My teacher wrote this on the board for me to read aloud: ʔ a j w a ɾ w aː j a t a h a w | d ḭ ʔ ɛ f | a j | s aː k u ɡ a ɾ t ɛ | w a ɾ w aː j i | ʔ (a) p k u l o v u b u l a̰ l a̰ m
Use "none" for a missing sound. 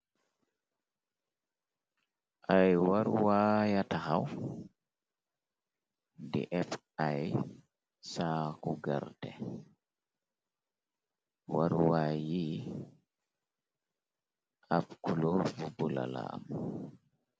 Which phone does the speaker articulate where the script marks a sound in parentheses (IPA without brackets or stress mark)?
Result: a